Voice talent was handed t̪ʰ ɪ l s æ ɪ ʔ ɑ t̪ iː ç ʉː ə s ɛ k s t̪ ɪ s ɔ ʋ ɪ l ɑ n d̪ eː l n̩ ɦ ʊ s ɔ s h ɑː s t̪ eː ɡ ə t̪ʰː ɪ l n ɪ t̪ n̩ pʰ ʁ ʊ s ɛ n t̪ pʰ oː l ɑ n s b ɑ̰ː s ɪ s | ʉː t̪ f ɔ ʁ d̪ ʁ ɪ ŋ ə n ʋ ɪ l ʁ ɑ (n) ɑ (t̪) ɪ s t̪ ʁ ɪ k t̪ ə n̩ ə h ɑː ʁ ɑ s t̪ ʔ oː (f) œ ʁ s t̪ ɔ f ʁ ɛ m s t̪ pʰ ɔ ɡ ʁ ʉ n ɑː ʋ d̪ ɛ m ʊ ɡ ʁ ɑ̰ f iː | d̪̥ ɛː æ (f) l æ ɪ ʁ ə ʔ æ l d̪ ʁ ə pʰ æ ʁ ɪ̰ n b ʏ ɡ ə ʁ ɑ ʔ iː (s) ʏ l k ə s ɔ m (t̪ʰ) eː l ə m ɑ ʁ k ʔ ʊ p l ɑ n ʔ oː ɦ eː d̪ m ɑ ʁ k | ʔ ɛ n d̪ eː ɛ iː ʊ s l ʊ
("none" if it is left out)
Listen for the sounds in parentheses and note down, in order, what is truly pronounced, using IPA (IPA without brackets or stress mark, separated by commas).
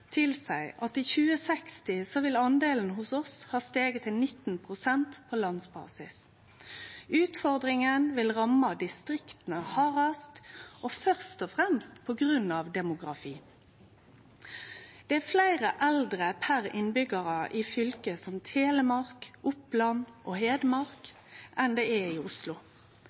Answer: m, d̪, f, f, f, t̪ʰ